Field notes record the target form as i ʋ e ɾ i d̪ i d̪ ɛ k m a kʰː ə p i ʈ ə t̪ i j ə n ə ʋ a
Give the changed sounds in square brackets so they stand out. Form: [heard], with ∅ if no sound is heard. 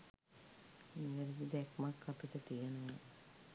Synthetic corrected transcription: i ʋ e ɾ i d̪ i d̪ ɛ k m a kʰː [a] p i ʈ ə t̪ i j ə n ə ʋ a